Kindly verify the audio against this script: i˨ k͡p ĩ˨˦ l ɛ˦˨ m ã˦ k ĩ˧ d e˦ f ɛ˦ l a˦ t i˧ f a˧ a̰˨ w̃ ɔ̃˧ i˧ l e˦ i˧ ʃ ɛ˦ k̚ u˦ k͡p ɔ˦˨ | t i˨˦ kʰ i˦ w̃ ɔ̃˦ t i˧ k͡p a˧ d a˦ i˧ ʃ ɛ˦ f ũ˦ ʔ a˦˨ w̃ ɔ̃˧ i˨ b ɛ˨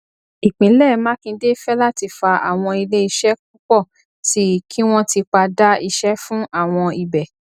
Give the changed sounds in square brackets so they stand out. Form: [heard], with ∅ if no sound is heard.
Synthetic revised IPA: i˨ k͡p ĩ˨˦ l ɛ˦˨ m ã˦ k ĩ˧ d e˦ f ɛ˦ l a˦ t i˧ f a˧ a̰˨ w̃ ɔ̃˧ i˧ l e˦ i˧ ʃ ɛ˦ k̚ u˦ k͡p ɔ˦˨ | t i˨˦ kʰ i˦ w̃ ɔ̃˦ t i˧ k͡p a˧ d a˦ i˧ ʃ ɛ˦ f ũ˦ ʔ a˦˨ w̃ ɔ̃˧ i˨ b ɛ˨